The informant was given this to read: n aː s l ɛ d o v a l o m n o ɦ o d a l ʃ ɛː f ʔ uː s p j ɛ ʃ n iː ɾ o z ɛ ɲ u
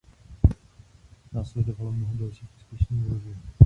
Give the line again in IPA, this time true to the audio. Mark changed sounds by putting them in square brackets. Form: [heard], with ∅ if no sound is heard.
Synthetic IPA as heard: n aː s l ɛ d o v a l o m n o ɦ o d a l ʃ [iː] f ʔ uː s p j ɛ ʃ n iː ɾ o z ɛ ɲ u